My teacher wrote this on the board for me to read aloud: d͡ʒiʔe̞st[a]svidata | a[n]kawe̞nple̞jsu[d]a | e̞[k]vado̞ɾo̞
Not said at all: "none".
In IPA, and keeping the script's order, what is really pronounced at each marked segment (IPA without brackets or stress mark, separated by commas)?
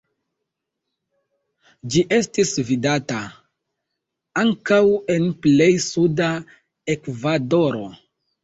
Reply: i, ŋ, d, k